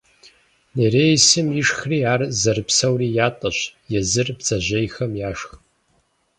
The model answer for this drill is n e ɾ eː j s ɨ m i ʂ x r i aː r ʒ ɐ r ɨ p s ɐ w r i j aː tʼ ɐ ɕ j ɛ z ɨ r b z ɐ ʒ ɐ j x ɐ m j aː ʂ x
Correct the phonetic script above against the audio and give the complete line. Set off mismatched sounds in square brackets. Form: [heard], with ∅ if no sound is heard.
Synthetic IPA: n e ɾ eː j s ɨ m i ʂ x r i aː r [z] ɐ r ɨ p s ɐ w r i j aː tʼ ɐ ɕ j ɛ z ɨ r b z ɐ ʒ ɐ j x ɐ m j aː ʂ x